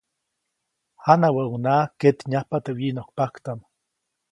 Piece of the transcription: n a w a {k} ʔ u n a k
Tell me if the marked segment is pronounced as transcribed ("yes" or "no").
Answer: no